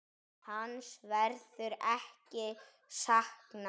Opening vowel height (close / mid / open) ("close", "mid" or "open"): open